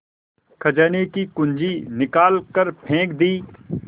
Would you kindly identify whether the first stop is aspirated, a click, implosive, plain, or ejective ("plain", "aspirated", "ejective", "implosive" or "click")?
aspirated